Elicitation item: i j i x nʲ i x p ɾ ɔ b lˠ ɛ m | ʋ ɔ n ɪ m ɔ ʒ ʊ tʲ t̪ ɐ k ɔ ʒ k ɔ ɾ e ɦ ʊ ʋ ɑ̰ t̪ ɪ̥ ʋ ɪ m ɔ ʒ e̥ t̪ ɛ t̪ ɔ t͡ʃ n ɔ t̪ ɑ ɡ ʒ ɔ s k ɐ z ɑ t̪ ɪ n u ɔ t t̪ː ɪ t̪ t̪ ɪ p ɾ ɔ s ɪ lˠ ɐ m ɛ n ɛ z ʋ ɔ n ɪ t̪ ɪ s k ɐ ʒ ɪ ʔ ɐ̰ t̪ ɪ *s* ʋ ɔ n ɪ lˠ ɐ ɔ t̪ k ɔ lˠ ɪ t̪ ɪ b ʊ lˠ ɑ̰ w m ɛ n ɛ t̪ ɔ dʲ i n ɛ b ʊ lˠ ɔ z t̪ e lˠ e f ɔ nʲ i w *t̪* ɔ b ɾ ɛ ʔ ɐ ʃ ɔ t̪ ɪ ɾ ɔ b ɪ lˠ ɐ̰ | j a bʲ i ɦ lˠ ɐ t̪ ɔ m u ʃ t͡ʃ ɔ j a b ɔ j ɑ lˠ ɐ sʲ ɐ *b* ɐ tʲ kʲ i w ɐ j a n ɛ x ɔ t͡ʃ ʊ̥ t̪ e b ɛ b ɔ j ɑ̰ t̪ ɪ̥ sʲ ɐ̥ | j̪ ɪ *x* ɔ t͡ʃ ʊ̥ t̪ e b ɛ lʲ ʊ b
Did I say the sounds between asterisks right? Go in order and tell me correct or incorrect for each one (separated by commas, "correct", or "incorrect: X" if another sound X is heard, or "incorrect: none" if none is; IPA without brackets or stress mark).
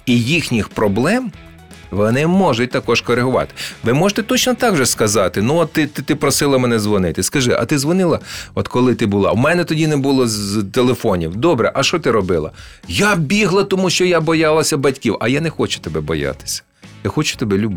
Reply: incorrect: z, incorrect: d̪, correct, correct